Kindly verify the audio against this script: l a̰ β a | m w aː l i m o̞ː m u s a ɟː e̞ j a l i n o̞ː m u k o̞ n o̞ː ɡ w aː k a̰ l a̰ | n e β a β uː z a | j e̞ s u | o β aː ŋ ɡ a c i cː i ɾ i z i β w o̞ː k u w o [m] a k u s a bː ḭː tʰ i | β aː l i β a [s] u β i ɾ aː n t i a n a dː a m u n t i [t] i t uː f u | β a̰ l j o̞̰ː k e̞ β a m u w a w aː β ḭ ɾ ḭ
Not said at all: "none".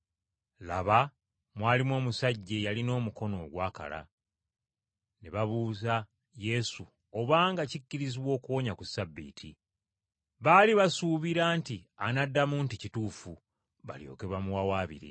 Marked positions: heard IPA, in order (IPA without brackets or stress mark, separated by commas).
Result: ɲ, s, c